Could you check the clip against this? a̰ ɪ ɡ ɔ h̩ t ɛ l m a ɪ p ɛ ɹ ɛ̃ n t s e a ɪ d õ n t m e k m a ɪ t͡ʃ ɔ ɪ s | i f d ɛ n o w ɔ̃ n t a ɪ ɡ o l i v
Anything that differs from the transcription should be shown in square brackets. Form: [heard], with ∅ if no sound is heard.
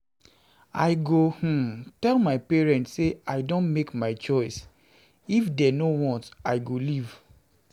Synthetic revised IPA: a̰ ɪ ɡ [o] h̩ t ɛ l m a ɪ p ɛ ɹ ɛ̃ n t s e a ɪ d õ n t m e k m a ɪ t͡ʃ ɔ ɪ s | i f d ɛ n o w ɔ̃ n t a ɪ ɡ o l i v

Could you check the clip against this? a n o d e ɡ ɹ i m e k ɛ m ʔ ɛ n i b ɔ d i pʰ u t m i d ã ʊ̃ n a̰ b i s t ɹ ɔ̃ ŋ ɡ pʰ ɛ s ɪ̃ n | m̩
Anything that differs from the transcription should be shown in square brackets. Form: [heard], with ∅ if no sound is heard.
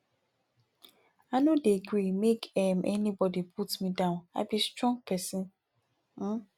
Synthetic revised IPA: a n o d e ɡ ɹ i m e k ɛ m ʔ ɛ n i b ɔ d i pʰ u t m i d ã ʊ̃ n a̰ b i s t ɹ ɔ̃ ŋ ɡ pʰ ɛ s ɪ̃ n | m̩

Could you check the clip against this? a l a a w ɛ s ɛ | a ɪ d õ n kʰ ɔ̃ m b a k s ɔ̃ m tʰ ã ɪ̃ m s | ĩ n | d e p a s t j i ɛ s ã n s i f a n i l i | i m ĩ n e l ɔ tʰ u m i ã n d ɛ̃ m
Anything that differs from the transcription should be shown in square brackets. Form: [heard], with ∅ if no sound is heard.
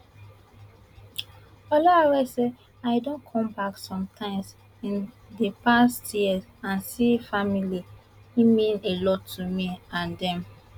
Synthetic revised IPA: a l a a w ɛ s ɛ | a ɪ d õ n kʰ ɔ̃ m b a k s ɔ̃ m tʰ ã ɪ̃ m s | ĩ n | d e p a s t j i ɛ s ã n s i f a [m] i l i | i m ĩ n e l ɔ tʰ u m i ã n d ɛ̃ m

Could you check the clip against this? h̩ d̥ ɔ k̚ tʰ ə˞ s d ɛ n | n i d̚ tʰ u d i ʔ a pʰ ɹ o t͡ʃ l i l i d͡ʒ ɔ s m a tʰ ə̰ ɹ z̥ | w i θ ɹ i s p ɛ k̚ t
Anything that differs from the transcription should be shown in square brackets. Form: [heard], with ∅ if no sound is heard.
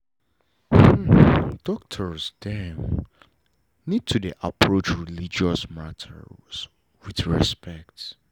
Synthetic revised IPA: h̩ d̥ ɔ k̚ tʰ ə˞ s d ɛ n | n i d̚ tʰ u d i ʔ a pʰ ɹ o t͡ʃ [ɹ] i l i d͡ʒ ɔ s m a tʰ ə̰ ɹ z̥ | w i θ ɹ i s p ɛ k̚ t

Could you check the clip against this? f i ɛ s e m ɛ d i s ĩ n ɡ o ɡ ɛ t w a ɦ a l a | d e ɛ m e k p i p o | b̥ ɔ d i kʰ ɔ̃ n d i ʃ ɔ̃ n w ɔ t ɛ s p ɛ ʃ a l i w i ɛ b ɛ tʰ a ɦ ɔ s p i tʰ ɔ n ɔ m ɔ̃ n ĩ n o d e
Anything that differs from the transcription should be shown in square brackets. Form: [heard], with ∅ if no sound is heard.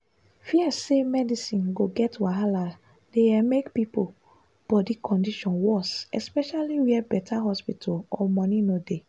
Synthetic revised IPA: f i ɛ s e m ɛ d i s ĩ n ɡ o ɡ ɛ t w a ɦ a l a | d e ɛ m e k p i p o | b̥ ɔ d i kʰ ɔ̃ n d i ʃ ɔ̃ n w ɔ [s] ɛ s p ɛ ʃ a l i w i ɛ b ɛ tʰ a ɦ ɔ s p i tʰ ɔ [∅] ɔ m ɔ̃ n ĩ n o d e

